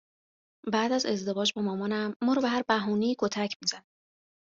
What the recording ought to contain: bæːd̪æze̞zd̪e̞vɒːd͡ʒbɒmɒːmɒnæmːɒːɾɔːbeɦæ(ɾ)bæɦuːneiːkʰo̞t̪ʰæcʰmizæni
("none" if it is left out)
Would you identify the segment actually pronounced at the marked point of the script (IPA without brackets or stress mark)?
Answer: ɾ